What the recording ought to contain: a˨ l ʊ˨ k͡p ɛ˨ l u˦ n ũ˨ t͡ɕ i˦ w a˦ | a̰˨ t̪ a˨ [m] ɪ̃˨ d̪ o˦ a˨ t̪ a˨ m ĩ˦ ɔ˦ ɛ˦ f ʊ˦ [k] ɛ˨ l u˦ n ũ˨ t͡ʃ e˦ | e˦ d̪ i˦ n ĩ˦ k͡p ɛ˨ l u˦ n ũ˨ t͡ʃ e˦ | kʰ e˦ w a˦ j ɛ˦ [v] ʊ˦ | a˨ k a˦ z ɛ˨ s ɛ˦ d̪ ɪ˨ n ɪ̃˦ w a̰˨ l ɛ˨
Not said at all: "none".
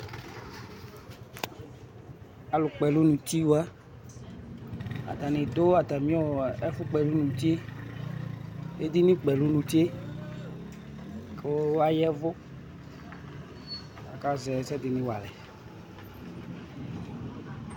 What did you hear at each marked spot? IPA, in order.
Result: n, k͡p, v

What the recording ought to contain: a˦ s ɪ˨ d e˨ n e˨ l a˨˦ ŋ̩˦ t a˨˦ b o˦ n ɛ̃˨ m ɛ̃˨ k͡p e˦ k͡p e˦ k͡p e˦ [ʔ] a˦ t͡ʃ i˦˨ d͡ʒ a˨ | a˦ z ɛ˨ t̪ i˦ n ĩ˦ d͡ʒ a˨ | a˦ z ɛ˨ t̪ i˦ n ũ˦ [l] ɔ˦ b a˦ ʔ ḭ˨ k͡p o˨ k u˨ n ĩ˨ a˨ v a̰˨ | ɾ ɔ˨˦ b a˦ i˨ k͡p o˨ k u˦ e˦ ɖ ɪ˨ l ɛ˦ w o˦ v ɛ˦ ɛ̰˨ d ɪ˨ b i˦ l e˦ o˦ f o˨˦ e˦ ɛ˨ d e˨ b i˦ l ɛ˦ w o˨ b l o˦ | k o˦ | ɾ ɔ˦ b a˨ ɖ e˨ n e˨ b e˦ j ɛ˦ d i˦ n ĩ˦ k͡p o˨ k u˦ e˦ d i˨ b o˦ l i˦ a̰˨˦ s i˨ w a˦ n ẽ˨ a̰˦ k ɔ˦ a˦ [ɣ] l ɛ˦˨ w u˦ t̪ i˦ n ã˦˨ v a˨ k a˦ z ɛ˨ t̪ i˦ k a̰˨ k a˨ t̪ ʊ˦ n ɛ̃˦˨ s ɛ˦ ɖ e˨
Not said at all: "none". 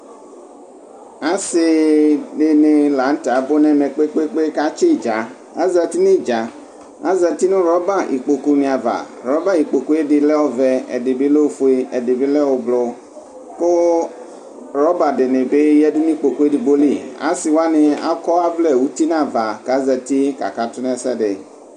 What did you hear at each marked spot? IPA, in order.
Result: k, ɾ, v

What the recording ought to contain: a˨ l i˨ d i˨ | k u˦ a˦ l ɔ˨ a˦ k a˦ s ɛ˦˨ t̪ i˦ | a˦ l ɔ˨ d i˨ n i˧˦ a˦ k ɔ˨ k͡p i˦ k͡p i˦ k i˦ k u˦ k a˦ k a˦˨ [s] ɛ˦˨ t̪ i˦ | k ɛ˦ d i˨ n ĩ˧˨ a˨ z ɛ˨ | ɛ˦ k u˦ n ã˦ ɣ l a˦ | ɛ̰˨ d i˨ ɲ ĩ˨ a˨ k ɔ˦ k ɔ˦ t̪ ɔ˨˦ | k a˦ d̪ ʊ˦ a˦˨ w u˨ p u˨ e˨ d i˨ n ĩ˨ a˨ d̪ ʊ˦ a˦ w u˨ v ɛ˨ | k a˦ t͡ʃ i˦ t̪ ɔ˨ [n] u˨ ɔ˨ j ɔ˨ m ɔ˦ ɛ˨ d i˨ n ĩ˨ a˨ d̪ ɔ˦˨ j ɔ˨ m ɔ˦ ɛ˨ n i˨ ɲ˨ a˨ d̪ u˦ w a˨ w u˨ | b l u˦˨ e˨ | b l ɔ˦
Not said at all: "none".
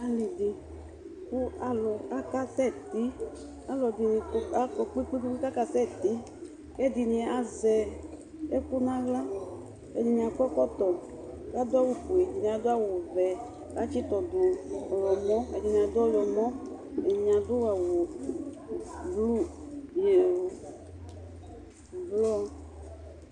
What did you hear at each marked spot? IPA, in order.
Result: s, d

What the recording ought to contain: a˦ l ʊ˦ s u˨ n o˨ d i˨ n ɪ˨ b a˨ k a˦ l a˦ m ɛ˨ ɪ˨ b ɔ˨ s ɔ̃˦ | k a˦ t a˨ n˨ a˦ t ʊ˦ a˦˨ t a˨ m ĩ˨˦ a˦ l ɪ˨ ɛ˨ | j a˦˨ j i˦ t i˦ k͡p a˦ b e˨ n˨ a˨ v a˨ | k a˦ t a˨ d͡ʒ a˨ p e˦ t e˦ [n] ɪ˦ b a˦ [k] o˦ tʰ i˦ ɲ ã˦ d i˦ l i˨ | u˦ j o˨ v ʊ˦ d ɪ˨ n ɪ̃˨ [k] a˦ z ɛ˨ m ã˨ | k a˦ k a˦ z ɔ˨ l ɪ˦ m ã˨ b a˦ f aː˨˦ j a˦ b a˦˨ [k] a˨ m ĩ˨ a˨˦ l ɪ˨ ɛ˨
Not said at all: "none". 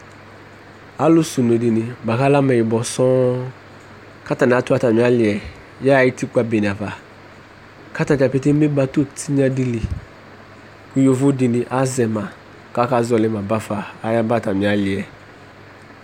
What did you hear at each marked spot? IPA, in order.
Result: m, t, ʔ, t

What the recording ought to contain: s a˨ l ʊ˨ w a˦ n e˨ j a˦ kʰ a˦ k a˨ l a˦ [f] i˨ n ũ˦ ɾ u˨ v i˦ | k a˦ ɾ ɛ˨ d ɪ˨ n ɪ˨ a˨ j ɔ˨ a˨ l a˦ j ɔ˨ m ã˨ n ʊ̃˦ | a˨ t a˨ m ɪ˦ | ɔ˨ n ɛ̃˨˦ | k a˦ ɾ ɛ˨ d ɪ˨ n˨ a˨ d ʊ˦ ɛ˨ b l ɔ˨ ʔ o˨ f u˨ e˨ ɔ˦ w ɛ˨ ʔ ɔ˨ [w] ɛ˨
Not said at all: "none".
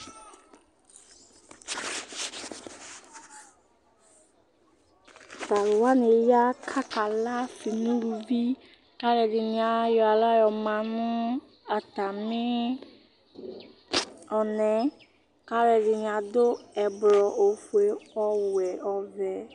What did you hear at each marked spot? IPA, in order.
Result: f, v

